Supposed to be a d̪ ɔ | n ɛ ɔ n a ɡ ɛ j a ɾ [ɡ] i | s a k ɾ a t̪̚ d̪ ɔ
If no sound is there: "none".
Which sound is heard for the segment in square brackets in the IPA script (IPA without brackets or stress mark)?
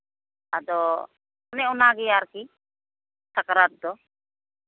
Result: k